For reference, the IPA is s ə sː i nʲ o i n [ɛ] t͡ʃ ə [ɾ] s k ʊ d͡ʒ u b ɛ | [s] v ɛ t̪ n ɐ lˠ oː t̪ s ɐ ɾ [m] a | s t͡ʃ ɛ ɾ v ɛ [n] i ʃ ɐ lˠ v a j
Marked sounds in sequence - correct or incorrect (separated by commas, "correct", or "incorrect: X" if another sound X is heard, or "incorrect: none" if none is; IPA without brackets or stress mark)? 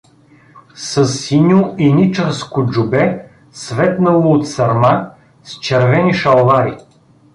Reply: incorrect: i, correct, correct, correct, correct